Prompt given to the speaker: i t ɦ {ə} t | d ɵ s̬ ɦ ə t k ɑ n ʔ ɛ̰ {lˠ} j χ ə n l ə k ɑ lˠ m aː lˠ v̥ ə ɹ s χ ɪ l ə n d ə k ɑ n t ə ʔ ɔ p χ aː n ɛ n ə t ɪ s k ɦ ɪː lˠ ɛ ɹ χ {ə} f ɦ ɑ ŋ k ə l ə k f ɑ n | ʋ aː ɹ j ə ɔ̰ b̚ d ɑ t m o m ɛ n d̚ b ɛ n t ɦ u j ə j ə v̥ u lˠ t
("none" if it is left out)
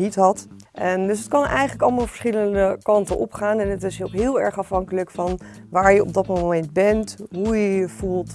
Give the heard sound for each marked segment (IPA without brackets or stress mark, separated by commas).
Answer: ɑ, none, ɑ